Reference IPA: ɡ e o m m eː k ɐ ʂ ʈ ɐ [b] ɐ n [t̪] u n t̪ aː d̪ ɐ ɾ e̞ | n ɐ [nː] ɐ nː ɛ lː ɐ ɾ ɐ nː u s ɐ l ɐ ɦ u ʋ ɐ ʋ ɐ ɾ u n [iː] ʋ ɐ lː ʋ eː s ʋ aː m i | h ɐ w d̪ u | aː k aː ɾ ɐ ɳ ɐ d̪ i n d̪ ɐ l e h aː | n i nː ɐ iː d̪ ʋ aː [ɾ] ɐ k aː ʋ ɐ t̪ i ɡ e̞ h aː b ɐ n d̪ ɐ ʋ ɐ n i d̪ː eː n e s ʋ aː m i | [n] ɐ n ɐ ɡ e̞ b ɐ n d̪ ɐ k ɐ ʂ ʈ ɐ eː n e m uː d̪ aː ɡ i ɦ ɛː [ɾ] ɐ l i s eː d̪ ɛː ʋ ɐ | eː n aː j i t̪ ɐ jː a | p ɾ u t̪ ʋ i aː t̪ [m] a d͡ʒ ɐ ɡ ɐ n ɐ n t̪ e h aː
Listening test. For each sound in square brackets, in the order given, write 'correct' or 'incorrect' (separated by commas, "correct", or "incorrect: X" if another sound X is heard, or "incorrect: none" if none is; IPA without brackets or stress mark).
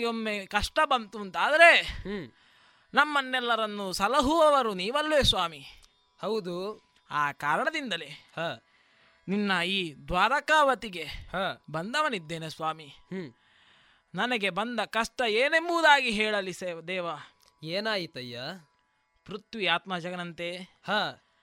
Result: correct, correct, incorrect: mː, correct, correct, correct, incorrect: ɭ, correct